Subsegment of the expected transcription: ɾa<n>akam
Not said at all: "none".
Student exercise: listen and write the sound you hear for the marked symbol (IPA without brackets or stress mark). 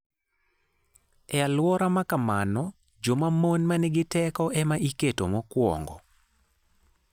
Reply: m